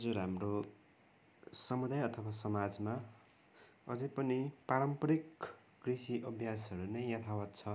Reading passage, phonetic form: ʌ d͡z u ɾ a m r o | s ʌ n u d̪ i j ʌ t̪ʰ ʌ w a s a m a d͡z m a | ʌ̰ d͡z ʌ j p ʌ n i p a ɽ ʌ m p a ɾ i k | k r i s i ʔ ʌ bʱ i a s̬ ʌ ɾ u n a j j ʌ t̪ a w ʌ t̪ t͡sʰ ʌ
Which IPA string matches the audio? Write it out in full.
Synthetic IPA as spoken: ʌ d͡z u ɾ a m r o | s ʌ m u d̪ a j ʌ t̪ʰ ʌ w a s ʌ m a d͡z m a | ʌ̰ d͡z ʌ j p ʌ n i p a ɾ ʌ m p ʌ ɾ i k | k r i s i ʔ ʌ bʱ j a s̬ ʌ ɾ u n ʌ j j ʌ t̪ʰ a w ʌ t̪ t͡sʰ ʌ